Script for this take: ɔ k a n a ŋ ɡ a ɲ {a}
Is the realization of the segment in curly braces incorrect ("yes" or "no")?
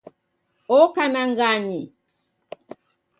yes